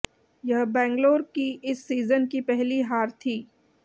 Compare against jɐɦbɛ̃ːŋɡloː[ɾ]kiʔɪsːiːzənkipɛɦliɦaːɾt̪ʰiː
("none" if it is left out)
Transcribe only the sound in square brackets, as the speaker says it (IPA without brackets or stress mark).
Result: ɾ